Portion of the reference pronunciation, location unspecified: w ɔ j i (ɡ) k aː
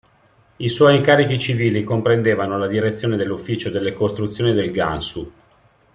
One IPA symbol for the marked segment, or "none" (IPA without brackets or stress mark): ŋ